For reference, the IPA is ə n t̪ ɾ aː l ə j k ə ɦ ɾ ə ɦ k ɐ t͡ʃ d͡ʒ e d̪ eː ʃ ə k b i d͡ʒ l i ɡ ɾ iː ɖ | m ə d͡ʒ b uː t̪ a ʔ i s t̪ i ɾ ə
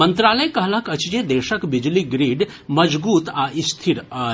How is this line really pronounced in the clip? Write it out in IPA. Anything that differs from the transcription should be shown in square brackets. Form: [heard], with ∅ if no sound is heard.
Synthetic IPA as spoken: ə n t̪ ɾ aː l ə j k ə ɦ [l] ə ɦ k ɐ t͡ʃ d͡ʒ e d̪ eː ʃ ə k b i d͡ʒ l i ɡ ɾ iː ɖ | m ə d͡ʒ b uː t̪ a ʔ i s [t̪ʰ] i ɾ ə